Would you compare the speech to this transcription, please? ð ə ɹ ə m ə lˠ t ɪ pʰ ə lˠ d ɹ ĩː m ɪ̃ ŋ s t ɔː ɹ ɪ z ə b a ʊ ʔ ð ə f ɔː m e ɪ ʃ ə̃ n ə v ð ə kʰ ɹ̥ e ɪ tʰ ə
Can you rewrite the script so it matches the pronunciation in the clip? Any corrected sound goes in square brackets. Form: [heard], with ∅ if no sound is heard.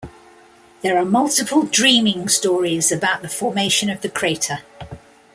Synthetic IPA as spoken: ð ə ɹ ə m [ʌ] lˠ t ɪ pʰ ə lˠ d ɹ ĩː m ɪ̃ ŋ s t ɔː ɹ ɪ z ə b a ʊ ʔ ð ə f ɔː m e ɪ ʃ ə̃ n ə v ð ə kʰ ɹ̥ e ɪ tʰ ə